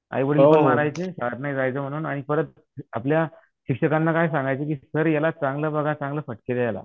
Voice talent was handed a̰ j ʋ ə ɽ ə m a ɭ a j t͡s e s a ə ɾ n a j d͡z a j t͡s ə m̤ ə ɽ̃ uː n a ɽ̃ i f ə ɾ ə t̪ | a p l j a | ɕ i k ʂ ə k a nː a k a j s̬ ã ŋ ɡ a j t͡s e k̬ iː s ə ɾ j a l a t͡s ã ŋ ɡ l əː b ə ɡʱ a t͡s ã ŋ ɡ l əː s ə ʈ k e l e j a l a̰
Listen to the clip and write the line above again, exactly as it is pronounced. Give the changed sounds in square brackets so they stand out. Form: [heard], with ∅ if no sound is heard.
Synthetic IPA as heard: a̰ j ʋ ə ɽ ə m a [ɾ] a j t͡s e s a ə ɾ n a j d͡z a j t͡s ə m̤ ə ɽ̃ uː n a ɽ̃ i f ə ɾ ə t̪ | a p l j a | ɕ i k ʂ ə k a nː a k a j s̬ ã ŋ ɡ a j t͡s e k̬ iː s ə ɾ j a l a t͡s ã ŋ ɡ l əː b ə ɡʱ a t͡s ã ŋ ɡ l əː [f] ə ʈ k e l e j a l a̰

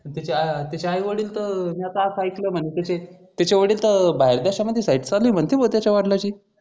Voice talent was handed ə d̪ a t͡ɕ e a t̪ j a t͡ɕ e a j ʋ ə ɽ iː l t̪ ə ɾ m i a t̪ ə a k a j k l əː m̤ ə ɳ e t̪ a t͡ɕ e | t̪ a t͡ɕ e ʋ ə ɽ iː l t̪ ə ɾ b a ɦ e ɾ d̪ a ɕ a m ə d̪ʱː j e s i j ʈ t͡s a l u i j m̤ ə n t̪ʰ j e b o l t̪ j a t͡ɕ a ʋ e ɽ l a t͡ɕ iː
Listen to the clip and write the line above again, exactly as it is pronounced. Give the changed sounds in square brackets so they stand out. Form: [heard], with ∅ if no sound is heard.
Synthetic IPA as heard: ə [t̪] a t͡ɕ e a t̪ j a t͡ɕ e a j ʋ ə ɽ iː l t̪ ə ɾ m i a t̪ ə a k a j k l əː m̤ ə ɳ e t̪ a t͡ɕ e | t̪ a t͡ɕ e ʋ ə ɽ iː l t̪ ə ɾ b a ɦ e ɾ d̪ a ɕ a m ə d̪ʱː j e s [a] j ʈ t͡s a l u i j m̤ ə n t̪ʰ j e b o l t̪ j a t͡ɕ a ʋ [a] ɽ l a t͡ɕ iː

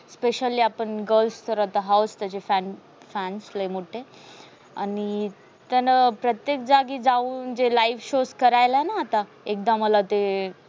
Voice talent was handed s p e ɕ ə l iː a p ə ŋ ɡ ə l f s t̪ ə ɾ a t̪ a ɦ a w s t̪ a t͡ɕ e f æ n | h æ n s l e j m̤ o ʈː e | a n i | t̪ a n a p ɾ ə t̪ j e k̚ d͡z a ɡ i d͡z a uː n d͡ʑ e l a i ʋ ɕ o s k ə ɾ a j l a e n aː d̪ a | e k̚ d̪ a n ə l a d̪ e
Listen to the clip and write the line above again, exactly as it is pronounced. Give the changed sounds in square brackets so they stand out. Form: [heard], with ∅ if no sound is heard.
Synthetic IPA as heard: s p e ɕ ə l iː a p ə [ɳ] ɡ ə l f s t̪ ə ɾ a t̪ a ɦ a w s t̪ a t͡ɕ e f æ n | [f] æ n s l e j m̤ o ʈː e | a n i | t̪ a n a p ɾ ə t̪ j e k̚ d͡z a ɡ i d͡z a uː n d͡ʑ e l a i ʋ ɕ o s k ə ɾ a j l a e n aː [t̪] a | e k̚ d̪ a [m] ə l a [t̪] e

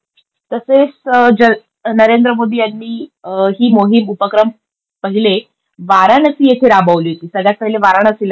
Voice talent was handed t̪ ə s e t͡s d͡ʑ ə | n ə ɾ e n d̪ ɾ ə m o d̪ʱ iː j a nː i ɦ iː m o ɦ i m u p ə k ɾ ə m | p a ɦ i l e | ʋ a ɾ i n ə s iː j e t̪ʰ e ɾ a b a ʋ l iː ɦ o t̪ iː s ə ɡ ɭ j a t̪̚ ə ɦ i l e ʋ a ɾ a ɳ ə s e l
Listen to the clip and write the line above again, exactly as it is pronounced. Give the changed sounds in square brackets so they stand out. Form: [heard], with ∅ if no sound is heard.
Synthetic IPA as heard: t̪ ə s e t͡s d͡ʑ ə | n ə ɾ e n d̪ ɾ ə m o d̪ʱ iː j a nː [iː] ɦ iː m o ɦ i m u p ə k ɾ ə m | p [ə] ɦ i l e | ʋ a ɾ [a] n ə s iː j e t̪ʰ e ɾ a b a ʋ l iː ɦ o t̪ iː s ə ɡ ɭ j a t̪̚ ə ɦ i l e ʋ a ɾ a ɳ ə s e l

